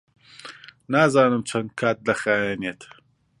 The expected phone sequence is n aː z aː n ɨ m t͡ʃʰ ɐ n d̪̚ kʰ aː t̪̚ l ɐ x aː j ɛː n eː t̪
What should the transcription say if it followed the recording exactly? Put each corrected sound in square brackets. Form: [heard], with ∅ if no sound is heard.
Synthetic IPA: n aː z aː n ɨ m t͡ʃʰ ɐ n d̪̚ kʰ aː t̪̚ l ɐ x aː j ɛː n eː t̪